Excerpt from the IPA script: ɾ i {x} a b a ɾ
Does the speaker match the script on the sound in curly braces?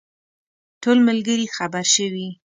yes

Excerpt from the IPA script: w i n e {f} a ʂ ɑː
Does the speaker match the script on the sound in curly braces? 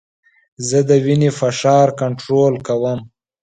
yes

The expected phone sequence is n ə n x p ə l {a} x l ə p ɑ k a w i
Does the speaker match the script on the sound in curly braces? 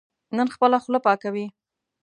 yes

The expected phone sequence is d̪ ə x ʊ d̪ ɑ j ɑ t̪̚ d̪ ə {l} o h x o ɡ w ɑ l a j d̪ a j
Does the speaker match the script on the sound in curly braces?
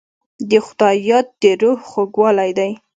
no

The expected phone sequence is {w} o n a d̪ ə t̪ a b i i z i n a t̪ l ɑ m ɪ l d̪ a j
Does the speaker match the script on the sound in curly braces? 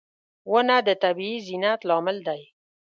yes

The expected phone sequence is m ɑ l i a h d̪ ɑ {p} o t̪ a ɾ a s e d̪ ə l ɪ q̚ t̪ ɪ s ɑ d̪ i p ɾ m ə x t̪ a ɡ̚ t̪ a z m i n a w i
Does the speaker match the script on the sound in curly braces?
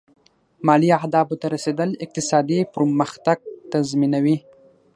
no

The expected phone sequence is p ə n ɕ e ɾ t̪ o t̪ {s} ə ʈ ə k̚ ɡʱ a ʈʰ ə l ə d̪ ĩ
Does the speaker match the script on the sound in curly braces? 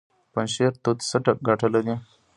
yes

